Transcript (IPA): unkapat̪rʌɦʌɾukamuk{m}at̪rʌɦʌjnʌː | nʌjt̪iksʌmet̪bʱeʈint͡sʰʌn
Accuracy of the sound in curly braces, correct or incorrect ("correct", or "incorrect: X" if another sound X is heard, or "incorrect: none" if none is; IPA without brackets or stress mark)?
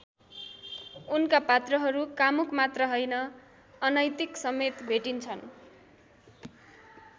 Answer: correct